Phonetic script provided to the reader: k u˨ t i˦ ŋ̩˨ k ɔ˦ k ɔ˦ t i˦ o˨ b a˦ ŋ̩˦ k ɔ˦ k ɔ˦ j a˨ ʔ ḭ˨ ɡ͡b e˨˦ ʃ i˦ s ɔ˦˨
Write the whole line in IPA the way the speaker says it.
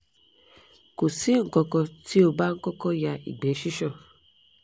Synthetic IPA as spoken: k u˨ s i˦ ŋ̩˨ k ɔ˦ k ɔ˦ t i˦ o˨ b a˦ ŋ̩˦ k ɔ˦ k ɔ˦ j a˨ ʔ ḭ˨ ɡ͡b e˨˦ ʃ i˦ ʃ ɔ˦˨